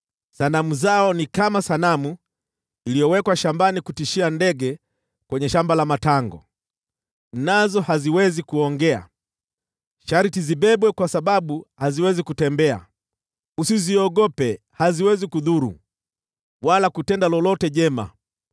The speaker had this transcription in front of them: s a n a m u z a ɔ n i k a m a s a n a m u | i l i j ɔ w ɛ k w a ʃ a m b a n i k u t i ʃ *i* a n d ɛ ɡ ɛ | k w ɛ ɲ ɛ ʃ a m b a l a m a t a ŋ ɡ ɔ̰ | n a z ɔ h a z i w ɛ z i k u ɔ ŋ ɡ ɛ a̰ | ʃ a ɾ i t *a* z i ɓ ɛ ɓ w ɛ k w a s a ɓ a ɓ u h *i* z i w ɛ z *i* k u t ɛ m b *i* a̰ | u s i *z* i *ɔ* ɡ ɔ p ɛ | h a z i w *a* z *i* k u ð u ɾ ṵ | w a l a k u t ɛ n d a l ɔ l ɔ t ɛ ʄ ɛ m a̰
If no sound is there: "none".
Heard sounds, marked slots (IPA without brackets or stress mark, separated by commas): i, i, a, i, ɛ, z, ɔ, ɛ, i